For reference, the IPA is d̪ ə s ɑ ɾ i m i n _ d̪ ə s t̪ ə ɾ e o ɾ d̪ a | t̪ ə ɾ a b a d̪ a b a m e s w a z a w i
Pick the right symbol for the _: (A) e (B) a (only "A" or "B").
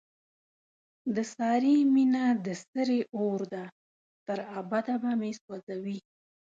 B